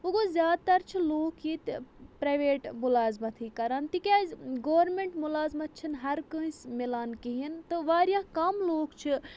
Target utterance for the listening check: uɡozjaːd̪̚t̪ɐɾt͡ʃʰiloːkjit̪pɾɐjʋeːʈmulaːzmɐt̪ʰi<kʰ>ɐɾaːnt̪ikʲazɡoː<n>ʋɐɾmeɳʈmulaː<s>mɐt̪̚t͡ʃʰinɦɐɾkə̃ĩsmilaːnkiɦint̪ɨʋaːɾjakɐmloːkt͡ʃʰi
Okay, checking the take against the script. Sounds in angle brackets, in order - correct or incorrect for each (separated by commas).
incorrect, incorrect, incorrect